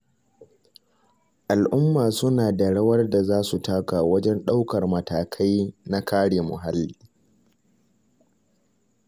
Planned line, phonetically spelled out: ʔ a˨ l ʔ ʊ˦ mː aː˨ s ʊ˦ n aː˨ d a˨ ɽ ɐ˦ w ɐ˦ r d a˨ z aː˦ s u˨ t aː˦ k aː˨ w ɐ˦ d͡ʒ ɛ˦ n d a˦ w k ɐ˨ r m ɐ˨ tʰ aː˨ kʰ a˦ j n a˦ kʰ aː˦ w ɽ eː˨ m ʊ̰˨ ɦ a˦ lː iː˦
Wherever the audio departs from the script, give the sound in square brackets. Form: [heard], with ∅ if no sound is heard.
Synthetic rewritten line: ʔ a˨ l ʔ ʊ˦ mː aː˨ s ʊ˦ n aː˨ d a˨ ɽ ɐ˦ w ɐ˦ r d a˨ z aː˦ s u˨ t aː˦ k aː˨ w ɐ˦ d͡ʒ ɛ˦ n [ɗ] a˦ w k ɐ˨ r m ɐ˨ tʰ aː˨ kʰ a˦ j n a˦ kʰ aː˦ [∅] ɽ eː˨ m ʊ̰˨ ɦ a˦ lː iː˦